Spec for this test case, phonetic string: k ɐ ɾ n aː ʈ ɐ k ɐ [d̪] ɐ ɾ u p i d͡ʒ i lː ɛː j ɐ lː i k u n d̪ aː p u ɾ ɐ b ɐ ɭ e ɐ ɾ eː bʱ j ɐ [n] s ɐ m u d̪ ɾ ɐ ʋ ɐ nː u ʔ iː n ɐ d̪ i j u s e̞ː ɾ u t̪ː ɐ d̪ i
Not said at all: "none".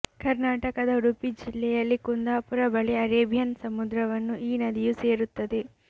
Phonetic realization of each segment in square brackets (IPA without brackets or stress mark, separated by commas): d̪, n